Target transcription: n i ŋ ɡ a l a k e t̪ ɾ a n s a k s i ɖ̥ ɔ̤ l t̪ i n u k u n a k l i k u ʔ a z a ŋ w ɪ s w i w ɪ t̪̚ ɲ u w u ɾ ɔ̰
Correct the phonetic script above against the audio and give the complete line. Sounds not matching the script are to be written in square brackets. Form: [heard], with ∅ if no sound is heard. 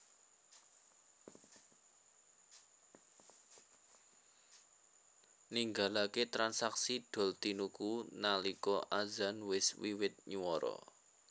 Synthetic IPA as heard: n i ŋ ɡ a l a k e t̪ ɾ a n s a k s i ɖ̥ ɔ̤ l t̪ i n u k u n a [∅] l i k [ɔ] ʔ a z a [n] w ɪ s w i w ɪ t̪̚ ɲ u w [ɔ] ɾ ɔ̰